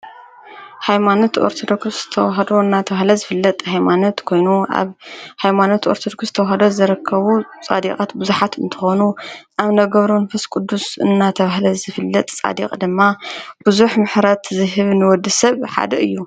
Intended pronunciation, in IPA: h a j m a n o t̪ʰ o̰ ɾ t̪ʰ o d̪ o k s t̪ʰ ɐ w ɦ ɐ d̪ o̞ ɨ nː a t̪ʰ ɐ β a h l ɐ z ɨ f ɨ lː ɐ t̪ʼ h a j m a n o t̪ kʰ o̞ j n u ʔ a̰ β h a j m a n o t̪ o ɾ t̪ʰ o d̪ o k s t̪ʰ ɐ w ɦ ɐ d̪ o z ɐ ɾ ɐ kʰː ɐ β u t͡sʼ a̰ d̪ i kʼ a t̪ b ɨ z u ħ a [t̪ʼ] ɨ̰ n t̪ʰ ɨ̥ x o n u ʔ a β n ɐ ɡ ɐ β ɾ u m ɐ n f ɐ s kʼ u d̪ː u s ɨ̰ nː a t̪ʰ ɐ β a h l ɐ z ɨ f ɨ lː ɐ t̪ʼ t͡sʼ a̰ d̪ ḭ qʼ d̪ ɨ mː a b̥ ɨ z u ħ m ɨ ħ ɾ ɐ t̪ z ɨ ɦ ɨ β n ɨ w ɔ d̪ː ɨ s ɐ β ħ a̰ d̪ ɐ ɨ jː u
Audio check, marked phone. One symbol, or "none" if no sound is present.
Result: t̪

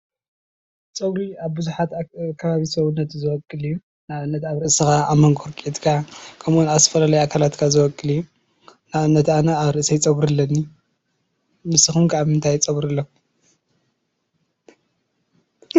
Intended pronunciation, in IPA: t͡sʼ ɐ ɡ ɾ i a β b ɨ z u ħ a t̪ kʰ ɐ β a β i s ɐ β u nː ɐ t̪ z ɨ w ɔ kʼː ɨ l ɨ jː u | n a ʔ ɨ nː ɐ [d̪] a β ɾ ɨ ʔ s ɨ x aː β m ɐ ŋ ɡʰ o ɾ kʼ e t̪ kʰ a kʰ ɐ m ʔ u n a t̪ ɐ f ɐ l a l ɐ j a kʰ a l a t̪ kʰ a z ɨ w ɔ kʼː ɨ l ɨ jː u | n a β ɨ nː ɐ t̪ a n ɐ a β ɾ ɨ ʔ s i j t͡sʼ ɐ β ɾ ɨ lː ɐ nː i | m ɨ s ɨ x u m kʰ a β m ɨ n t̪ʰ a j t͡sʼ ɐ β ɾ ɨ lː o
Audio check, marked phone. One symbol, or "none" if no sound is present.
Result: t̪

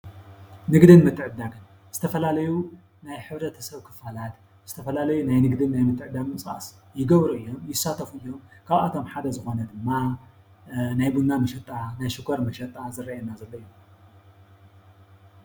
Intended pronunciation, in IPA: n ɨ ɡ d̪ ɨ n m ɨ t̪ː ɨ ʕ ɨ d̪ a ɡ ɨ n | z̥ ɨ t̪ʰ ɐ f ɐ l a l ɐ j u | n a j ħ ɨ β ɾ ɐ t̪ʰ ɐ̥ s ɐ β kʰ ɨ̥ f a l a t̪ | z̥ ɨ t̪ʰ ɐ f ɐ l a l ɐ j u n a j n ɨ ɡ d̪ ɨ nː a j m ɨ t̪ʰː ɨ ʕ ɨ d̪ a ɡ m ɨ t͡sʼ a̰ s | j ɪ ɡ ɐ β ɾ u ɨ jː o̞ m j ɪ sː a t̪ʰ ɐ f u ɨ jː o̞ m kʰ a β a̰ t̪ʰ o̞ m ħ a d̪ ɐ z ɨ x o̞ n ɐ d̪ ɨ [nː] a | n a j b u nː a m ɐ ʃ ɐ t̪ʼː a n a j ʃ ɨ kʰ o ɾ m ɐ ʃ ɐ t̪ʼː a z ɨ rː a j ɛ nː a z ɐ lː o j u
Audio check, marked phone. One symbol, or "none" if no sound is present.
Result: mː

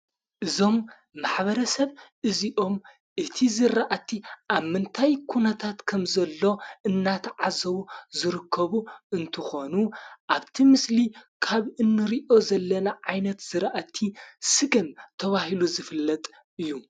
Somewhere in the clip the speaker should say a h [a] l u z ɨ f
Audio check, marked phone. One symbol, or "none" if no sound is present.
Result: i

